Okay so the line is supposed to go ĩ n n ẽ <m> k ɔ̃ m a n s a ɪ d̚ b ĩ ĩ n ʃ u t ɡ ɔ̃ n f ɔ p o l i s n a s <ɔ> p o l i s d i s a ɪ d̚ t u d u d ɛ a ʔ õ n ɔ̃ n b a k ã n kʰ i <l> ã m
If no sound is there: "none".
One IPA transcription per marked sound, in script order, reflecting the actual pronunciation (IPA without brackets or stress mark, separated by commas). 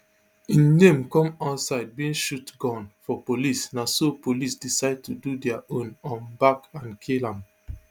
m, o, l